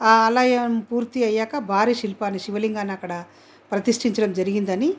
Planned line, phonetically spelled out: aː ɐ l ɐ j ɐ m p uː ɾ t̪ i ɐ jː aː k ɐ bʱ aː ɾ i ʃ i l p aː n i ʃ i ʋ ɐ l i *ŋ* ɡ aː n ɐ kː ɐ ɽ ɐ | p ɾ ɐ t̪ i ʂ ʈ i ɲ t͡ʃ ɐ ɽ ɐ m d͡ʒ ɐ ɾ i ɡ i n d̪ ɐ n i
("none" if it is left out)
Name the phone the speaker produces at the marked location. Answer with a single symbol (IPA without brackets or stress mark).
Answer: ŋ